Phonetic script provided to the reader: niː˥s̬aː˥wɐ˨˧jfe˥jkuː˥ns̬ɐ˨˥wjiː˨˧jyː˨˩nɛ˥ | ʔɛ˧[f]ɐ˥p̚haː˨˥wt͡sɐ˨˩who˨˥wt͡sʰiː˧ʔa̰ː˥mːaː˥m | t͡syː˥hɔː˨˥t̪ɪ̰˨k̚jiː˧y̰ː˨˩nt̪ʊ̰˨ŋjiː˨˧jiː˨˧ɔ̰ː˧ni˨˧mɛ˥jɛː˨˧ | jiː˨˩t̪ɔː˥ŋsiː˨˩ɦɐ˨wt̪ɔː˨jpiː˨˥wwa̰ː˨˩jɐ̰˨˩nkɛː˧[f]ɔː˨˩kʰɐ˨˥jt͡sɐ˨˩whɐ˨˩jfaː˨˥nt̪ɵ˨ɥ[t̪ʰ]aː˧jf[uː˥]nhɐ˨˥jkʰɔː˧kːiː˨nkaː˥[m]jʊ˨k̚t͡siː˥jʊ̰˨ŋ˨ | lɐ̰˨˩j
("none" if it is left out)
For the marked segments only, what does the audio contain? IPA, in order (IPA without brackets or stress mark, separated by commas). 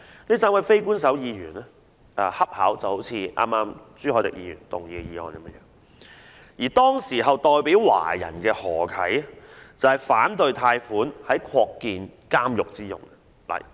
h, h, t̪ʰ, uː˨˥, m